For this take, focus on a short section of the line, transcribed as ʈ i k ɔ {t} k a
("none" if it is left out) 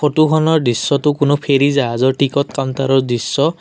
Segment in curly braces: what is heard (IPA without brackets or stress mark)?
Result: t